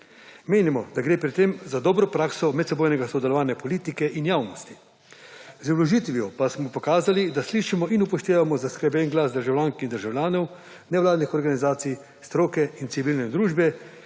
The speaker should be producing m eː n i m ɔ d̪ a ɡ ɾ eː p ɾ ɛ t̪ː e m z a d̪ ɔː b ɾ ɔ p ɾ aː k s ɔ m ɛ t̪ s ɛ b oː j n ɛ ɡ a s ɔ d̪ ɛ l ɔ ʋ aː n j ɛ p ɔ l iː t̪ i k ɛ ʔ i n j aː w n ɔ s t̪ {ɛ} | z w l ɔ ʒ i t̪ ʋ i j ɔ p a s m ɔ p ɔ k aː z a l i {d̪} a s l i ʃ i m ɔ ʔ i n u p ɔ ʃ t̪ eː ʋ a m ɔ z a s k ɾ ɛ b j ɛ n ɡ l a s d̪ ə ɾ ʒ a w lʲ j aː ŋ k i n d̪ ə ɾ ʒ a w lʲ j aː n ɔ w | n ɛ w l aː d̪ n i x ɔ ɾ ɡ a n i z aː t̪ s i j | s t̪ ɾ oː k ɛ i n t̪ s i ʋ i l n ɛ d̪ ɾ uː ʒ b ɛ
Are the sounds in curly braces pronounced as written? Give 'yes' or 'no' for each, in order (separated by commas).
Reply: no, yes